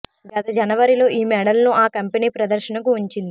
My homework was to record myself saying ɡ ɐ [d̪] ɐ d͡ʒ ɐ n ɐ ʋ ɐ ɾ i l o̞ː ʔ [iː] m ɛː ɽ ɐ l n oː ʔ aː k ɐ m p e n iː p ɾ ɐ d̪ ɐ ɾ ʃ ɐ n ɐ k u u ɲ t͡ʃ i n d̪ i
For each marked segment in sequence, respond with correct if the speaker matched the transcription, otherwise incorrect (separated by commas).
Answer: incorrect, correct